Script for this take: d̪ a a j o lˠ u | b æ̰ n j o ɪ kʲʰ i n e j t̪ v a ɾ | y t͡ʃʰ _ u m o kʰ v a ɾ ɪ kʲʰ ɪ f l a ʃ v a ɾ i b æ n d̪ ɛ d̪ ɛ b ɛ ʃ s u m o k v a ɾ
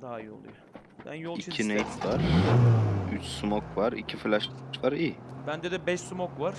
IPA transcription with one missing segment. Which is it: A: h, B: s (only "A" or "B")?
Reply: B